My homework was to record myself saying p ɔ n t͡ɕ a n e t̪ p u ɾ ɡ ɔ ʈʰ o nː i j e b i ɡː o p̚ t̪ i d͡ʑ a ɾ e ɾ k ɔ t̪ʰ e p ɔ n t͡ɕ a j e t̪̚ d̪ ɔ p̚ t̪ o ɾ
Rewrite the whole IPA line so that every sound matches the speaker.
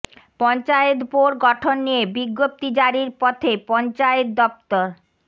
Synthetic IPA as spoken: p ɔ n t͡ɕ a e t̪ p o ɾ ɡ ɔ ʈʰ o nː i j e b i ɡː o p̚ t̪ i d͡ʑ a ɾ i ɾ p ɔ t̪ʰ e p ɔ n t͡ɕ a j e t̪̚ d̪ ɔ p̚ t̪ o ɾ

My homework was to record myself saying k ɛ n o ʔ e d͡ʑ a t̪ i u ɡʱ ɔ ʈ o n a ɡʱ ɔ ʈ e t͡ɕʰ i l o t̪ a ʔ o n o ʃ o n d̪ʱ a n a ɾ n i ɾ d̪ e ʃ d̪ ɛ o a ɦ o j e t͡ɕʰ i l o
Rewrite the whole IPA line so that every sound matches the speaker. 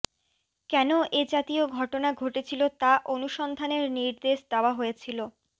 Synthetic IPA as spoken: k ɛ n o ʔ e d͡ʑ a t̪ i o ɡʱ ɔ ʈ o n a ɡʱ o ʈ e t͡ɕʰ i l o t̪ a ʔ o n u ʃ ɔ n d̪ʱ a n e ɾ n i ɾ d̪ e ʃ d̪ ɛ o a ɦ o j e t͡ɕʰ i l o

